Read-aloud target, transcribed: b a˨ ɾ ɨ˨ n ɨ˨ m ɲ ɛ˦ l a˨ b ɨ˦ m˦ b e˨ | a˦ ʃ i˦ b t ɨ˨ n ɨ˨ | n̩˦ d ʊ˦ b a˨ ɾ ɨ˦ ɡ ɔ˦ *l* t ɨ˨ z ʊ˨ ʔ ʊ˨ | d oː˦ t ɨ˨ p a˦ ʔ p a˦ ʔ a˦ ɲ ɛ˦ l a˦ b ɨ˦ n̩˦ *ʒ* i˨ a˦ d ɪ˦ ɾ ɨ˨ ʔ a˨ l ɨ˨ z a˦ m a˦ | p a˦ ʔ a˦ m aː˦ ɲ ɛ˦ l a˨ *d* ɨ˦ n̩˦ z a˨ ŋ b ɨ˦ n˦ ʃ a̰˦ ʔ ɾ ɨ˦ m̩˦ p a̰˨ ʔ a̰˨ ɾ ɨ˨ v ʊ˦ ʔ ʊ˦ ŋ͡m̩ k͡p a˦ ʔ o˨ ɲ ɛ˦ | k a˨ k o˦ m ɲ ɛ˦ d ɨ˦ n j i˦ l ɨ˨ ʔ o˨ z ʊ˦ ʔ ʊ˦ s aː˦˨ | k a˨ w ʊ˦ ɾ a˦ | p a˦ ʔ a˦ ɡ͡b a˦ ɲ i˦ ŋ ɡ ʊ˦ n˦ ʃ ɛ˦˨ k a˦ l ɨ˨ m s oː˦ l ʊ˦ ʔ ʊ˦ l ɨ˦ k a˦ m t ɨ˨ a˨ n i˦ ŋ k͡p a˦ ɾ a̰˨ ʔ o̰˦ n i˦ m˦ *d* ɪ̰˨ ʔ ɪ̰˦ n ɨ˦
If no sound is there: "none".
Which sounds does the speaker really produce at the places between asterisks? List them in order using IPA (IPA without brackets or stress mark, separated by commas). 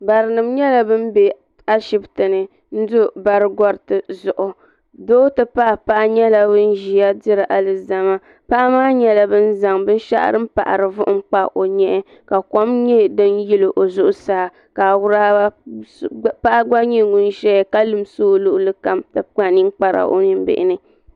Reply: ɾ, ʒ, b, b